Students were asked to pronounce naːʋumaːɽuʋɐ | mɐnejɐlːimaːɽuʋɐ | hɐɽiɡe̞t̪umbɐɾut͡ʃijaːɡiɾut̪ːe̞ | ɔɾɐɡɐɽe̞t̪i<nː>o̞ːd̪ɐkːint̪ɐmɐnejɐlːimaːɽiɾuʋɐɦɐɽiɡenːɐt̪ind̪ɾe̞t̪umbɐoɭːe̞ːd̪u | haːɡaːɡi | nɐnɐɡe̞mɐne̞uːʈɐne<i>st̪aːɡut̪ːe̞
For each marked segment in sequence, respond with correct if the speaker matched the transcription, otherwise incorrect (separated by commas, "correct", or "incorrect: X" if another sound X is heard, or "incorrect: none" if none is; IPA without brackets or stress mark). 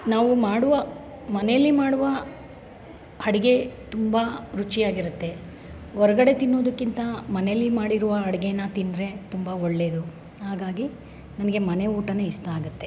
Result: correct, correct